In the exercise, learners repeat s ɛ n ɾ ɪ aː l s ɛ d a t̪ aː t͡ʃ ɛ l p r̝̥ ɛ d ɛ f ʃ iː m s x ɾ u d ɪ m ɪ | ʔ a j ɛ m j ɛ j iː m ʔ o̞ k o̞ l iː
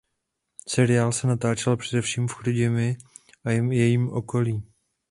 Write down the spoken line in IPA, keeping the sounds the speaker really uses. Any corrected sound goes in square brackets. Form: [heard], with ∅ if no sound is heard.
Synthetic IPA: s ɛ [∅] ɾ ɪ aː l s ɛ [n] a t̪ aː t͡ʃ ɛ l p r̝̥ ɛ d ɛ f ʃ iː m [f] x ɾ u [ɟ] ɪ m ɪ | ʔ a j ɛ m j ɛ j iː m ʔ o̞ k o̞ l iː